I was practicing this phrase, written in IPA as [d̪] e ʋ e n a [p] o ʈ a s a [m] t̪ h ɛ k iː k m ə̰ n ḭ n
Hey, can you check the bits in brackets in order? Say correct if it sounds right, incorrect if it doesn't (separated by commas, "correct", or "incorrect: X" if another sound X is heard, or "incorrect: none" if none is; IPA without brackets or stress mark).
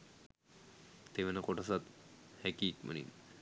incorrect: t̪, incorrect: k, incorrect: none